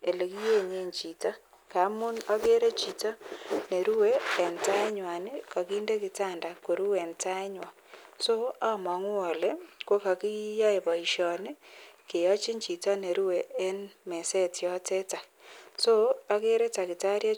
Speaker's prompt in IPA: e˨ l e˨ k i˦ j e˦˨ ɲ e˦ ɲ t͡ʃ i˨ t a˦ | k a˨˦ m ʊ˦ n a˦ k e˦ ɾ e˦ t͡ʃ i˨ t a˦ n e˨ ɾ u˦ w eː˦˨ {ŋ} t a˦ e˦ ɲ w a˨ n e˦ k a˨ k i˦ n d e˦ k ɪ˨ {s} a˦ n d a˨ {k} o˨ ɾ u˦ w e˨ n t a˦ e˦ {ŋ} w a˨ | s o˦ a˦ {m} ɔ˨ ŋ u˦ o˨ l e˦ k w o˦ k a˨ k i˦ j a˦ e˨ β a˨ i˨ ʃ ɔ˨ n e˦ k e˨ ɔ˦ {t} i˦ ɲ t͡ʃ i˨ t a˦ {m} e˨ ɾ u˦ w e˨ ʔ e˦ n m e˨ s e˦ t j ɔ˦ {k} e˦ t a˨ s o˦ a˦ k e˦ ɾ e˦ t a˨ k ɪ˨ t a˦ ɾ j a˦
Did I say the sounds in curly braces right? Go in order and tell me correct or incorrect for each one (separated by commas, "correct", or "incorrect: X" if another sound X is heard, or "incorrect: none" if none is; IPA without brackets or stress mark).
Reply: incorrect: n, incorrect: t, correct, incorrect: ɲ, correct, incorrect: t͡ʃ, incorrect: n, incorrect: t